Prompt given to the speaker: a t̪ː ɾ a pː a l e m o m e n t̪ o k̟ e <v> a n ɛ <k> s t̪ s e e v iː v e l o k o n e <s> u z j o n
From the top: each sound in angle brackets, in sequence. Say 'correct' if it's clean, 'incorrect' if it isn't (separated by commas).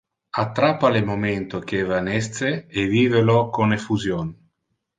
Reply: correct, incorrect, incorrect